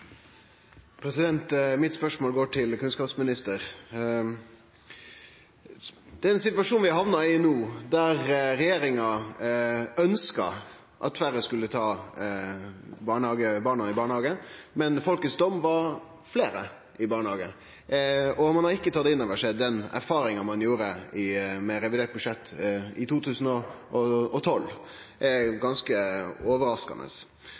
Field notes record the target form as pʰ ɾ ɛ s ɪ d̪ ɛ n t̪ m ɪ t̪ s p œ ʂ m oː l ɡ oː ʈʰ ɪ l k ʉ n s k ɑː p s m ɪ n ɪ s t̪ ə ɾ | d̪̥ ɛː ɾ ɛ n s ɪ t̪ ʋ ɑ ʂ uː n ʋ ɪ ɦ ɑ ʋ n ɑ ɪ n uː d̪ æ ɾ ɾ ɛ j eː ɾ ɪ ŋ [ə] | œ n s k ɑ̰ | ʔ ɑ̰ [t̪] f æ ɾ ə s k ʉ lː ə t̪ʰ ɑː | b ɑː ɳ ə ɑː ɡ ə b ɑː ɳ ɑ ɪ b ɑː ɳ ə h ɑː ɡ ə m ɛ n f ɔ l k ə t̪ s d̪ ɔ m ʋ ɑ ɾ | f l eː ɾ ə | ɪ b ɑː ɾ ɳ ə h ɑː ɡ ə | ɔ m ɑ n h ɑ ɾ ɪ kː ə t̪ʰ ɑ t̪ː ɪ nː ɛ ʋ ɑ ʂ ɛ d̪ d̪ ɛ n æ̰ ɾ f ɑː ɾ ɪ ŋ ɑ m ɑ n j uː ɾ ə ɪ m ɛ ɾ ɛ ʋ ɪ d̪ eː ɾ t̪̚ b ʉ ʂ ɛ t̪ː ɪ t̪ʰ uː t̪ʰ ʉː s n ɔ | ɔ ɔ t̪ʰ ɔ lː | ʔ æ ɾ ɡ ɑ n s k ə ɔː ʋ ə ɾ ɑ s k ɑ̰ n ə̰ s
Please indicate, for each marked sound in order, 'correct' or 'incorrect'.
incorrect: ɑ, correct

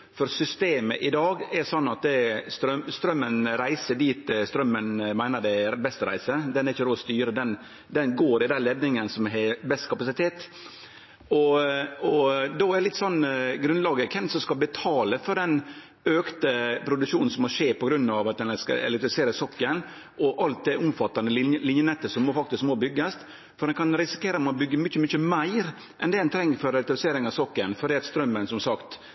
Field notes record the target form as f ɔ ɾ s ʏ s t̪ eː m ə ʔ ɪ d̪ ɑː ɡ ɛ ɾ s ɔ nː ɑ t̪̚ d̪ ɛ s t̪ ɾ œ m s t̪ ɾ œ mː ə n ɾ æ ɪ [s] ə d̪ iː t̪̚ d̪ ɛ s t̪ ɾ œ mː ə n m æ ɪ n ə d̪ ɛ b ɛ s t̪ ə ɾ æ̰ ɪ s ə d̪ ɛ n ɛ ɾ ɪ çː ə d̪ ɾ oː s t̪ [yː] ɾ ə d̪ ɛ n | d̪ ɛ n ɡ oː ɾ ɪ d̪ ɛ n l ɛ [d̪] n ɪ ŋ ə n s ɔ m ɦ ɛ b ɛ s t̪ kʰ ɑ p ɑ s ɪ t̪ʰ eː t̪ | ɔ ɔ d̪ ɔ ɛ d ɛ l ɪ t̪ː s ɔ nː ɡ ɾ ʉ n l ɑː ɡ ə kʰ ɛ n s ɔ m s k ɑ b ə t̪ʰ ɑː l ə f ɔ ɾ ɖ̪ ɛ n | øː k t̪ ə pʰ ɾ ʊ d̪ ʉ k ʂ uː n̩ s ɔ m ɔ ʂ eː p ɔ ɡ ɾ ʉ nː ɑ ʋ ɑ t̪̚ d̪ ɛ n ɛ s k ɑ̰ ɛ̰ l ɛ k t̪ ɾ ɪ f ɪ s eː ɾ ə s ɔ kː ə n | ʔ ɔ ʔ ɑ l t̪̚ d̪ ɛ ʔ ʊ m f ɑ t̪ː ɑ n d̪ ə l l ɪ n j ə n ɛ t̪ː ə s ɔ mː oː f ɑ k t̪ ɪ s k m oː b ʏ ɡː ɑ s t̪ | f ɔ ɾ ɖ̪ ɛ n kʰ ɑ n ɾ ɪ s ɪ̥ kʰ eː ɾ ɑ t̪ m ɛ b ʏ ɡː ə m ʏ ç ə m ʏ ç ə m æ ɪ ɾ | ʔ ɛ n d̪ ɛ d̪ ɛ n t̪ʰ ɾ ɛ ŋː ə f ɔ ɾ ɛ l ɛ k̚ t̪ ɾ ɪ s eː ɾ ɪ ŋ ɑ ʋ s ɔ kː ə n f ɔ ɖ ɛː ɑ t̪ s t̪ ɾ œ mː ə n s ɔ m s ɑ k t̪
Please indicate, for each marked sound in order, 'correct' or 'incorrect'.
correct, correct, correct

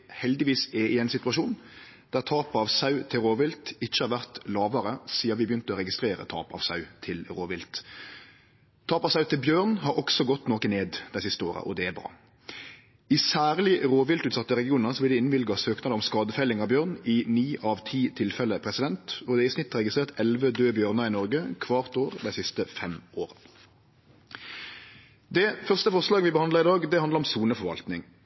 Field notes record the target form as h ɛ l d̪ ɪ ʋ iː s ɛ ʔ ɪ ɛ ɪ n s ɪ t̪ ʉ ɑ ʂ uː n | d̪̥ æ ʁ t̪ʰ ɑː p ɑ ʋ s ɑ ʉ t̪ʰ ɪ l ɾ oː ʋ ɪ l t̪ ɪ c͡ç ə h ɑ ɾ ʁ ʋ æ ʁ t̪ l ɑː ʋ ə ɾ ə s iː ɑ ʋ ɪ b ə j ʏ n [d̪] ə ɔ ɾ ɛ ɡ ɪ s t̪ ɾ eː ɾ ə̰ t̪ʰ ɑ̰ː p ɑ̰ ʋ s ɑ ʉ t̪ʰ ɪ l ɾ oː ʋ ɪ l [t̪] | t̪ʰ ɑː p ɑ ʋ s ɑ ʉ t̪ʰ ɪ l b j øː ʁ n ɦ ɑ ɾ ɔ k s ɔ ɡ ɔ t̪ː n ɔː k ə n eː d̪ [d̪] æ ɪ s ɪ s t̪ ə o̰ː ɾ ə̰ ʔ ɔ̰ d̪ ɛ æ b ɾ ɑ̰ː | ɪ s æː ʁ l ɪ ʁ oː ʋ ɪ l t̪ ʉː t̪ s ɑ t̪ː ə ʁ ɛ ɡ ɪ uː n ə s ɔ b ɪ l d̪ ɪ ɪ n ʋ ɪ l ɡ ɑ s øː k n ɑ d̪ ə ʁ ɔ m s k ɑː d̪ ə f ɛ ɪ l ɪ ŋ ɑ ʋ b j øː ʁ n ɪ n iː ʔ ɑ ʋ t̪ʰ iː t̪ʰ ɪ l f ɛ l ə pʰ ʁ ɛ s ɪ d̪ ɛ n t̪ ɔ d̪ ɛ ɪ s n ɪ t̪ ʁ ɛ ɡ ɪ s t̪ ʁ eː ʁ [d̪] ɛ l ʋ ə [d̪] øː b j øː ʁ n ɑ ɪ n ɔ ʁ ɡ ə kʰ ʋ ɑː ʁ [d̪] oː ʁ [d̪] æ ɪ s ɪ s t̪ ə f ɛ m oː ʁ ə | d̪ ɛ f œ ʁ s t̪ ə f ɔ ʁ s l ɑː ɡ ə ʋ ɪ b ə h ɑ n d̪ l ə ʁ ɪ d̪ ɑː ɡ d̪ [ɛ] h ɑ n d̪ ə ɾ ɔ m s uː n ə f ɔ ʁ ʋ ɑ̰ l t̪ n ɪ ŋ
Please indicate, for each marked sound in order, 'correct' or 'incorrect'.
incorrect: t̪, correct, correct, incorrect: t̪, correct, incorrect: t̪, correct, correct

